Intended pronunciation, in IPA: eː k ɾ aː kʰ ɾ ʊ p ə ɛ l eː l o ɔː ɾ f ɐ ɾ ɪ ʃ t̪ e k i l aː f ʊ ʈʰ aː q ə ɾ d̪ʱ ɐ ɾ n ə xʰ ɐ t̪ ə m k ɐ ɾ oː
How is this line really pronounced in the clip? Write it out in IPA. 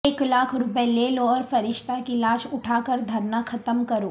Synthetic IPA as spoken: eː k l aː kʰ ɾ ʊ p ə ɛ l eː l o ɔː ɾ f ɐ ɾ ɪ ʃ t̪ a k i l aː ʃ ʊ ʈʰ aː k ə ɾ d̪ʱ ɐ ɾ n a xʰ ɐ t̪ ə m k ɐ ɾ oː